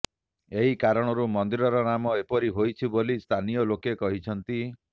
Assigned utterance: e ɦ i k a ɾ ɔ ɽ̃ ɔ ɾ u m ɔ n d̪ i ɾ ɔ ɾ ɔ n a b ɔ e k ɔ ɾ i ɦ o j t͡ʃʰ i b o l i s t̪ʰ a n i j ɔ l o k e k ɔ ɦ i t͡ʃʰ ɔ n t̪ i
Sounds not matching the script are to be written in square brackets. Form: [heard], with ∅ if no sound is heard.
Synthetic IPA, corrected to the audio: e ɦ i k a ɾ ɔ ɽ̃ ɔ ɾ u m ɔ n d̪ i ɾ ɔ ɾ ɔ n a [m] ɔ e [p] ɔ ɾ i ɦ o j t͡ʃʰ i b o l i s t̪ʰ a n i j ɔ l o k e k ɔ ɦ i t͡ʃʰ ɔ n t̪ i